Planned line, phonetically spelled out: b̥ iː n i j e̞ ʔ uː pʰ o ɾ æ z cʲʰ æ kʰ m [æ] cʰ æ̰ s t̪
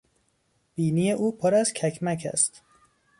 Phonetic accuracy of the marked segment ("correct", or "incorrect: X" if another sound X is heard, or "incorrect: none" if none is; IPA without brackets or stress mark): correct